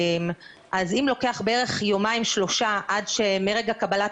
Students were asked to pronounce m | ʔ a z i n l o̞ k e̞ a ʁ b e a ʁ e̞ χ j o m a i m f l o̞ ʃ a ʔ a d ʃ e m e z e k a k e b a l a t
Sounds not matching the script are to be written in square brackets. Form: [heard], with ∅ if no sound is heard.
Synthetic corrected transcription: m | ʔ a z i [m] l o̞ k e̞ a [χ] b e [e] ʁ e̞ χ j o m a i m [ʃ] l o̞ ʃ a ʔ a d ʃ e m e [ʁ] e [ɡ] a k [a] b a l a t